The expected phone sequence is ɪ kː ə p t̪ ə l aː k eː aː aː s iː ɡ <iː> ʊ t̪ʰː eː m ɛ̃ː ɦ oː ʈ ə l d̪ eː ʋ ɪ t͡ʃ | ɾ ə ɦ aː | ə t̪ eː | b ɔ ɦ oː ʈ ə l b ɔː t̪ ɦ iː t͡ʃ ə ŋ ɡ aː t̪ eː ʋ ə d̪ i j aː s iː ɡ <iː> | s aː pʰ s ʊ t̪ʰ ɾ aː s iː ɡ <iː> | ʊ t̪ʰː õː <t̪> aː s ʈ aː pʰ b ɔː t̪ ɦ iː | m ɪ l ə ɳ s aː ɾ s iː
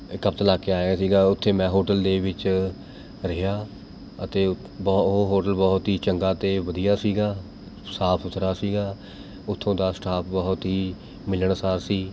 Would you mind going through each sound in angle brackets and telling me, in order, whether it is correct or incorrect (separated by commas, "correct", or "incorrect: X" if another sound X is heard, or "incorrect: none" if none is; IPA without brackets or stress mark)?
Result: incorrect: aː, incorrect: aː, incorrect: aː, incorrect: d̪